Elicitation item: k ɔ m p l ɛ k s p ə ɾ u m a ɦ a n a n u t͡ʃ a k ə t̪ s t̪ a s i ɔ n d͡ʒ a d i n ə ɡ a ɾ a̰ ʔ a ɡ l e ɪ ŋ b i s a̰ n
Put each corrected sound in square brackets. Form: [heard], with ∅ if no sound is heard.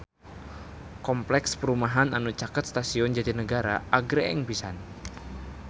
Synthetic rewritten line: k ɔ m p l ɛ k s p ə ɾ u m a ɦ a n a n u t͡ʃ a k ə t̪ s t̪ a s i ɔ n d͡ʒ a d i n ə ɡ a ɾ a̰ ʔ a ɡ [ɾ] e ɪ ŋ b i s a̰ n